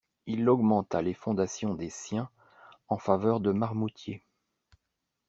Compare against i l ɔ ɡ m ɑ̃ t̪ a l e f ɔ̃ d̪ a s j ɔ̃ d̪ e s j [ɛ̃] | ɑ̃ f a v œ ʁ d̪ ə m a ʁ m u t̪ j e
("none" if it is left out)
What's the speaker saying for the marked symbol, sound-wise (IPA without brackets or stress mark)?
ɛ̃